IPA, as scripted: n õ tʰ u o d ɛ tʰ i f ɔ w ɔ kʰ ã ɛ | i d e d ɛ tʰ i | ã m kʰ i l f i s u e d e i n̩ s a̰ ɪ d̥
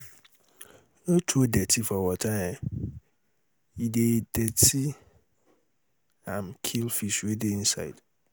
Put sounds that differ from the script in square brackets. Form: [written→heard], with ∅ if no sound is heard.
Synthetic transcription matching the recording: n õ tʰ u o d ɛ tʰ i f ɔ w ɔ [kʰ→tʰ] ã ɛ | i d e d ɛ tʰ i | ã m kʰ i l f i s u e d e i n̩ s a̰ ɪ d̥